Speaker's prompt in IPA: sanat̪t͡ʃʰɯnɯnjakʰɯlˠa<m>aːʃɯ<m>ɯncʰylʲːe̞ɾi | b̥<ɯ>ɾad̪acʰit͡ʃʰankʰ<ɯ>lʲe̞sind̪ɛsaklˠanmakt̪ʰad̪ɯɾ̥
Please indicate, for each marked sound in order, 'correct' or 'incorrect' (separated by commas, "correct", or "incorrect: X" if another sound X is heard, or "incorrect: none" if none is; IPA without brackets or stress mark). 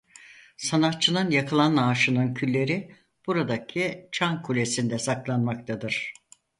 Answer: incorrect: n, incorrect: n, incorrect: u, incorrect: u